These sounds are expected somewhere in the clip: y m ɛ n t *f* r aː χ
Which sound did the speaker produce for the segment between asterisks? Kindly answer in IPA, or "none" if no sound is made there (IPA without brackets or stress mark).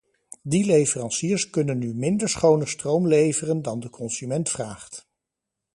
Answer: f